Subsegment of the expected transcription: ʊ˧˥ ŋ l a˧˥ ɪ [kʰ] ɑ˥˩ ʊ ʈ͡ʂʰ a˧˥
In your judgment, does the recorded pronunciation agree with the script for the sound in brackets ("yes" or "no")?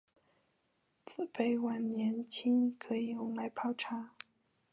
no